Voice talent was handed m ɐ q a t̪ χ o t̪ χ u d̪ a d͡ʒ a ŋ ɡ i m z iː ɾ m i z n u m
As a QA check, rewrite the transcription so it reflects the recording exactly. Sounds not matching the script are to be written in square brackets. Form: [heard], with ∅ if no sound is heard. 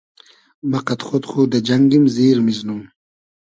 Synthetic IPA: m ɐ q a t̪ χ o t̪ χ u d̪ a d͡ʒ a ŋ ɡ i m z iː ɾ m i z n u m